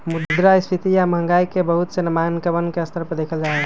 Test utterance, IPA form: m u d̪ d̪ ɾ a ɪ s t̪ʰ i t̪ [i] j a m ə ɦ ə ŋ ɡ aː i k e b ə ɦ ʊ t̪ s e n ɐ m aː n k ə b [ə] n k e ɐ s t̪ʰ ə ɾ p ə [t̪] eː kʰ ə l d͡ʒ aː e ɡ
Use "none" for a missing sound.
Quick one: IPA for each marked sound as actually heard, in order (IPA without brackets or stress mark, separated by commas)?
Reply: i, ə, d̪